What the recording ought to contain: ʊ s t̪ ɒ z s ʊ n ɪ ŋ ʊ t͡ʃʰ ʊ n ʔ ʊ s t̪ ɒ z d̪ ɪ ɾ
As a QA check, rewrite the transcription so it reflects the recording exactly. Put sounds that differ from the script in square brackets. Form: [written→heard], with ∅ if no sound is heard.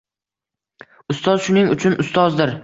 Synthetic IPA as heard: ʊ s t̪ ɒ z [s→ʃ] ʊ n ɪ ŋ ʊ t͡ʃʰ ʊ n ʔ ʊ s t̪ ɒ z d̪ ɪ ɾ